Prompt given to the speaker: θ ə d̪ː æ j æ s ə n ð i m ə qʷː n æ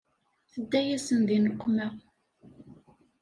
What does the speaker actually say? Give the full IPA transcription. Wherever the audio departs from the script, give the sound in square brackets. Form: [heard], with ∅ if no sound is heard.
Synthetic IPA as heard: θ ə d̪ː æ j æ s ə n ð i [n] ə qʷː [m] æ